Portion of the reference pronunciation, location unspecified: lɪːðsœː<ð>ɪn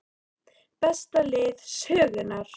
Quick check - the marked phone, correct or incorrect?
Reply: incorrect: ɣ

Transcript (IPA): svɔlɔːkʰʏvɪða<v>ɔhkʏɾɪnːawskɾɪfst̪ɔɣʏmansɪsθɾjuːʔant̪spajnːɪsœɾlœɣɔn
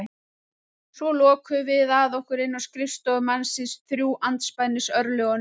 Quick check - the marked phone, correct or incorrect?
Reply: incorrect: ð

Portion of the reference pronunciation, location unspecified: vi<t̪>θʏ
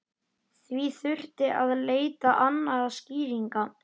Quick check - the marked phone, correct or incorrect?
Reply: incorrect: none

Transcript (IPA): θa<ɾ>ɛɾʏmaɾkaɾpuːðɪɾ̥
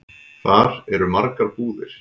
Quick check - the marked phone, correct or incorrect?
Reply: correct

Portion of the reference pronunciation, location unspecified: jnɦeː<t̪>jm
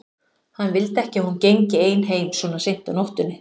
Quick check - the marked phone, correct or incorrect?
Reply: incorrect: none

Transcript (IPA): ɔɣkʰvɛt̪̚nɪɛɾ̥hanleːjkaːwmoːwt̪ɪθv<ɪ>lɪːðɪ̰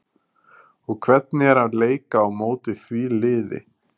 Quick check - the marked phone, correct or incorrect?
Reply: incorrect: i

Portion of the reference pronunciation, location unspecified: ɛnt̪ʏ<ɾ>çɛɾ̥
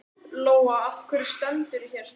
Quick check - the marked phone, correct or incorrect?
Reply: correct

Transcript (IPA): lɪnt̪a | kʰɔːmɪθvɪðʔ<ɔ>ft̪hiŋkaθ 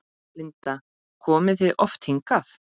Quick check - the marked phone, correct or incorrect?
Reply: correct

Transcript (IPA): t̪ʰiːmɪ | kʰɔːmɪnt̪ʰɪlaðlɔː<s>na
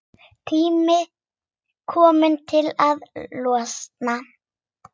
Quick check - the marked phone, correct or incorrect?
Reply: correct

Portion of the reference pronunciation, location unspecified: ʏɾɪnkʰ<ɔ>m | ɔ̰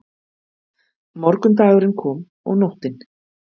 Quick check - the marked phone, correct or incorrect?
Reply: incorrect: ɔː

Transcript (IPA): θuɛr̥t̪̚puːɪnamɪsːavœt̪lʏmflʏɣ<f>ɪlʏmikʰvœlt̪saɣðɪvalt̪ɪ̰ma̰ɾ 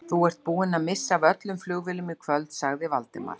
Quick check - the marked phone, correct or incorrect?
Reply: incorrect: v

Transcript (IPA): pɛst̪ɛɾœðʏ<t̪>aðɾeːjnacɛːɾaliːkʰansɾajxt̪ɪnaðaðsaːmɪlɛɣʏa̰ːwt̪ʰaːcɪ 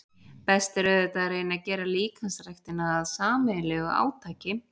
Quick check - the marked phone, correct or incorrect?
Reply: correct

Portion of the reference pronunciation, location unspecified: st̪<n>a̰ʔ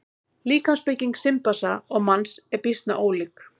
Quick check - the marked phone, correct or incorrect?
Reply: correct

